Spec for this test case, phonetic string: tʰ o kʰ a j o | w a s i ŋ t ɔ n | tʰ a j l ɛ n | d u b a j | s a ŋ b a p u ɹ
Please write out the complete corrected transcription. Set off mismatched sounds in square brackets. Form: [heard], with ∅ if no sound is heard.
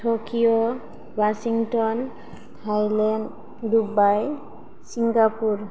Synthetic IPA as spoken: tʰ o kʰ [i] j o | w a s i ŋ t ɔ n | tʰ a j l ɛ n | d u b a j | s [i] ŋ [ɡ] a p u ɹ